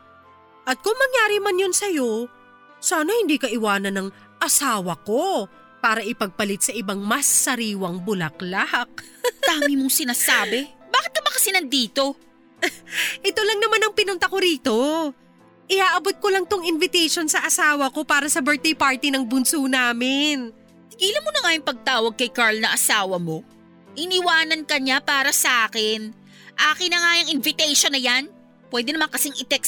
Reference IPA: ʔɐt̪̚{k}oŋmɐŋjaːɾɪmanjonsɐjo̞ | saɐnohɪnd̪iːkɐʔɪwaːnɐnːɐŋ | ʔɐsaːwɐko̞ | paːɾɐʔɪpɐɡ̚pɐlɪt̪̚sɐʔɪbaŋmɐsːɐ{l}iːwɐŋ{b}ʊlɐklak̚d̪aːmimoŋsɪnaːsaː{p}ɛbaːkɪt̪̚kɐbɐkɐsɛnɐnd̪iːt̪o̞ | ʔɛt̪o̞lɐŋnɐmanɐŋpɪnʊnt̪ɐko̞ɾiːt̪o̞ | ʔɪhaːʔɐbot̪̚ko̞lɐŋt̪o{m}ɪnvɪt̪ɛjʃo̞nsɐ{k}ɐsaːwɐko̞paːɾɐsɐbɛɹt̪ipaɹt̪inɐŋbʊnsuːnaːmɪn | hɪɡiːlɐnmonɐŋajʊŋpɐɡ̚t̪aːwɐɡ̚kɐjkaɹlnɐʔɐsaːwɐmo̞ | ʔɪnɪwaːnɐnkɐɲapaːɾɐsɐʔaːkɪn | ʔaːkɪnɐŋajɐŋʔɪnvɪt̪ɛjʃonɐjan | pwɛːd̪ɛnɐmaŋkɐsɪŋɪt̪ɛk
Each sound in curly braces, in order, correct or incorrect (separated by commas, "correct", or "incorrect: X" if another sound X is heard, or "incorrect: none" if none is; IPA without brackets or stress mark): correct, incorrect: ɾ, correct, incorrect: b, incorrect: ŋ, incorrect: ʔ